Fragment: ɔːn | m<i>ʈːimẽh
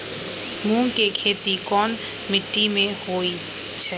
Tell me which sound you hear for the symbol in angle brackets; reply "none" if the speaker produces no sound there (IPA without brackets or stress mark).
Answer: ɪ